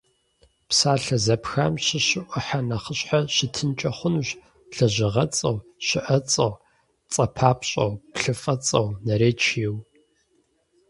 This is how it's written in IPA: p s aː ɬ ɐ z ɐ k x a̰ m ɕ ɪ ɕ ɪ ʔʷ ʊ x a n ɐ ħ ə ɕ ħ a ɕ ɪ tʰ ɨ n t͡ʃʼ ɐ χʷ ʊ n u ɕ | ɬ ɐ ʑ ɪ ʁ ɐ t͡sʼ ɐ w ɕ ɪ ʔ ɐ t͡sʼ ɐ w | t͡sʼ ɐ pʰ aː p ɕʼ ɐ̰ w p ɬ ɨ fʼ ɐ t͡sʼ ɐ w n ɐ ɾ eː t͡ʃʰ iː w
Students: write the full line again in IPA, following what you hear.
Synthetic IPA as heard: p s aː ɬ ɐ z ɐ p x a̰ m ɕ ɪ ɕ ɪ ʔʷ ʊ ħ a n ɐ χ ə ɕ ħ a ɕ ɪ tʰ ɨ n t͡ʃʼ ɐ χʷ ʊ n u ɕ | ɬ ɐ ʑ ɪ ʁ ɐ t͡sʼ ɐ w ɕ ɪ ʔ ɐ t͡sʼ ɐ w | t͡sʼ ɐ pʰ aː p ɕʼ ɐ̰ w p ɬ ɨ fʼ ɐ t͡sʼ ɐ w n ɐ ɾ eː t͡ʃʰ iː w